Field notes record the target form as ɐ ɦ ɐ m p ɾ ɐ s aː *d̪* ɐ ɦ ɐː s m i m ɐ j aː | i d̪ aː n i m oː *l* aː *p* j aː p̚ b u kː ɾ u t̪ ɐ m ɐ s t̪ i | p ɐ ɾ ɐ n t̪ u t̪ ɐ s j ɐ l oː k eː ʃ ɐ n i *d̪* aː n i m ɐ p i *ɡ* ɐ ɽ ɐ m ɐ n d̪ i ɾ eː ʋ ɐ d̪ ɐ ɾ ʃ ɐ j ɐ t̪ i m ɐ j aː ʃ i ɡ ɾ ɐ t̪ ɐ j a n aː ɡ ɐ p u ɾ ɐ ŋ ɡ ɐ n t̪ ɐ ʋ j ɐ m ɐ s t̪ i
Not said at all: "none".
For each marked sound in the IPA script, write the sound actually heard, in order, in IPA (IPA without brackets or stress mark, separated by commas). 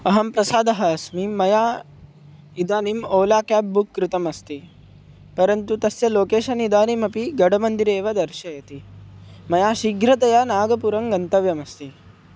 d̪, l, k, d̪, ɡ